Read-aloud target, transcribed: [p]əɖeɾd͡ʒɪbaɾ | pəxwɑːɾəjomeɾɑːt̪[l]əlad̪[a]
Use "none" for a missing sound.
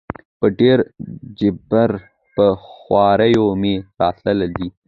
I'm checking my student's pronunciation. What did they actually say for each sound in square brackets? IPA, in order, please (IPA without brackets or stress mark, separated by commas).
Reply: p, l, i